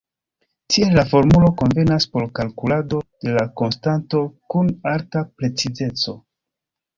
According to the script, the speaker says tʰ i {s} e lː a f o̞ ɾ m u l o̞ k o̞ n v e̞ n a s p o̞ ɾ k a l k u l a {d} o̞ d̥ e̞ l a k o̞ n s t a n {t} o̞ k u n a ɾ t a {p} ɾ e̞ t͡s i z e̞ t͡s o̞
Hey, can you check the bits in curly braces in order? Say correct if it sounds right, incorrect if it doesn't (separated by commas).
incorrect, correct, correct, correct